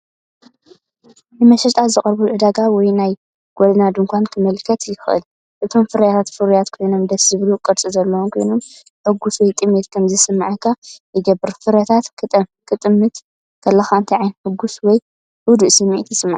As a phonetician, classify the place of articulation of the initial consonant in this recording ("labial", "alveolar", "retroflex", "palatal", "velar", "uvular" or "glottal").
alveolar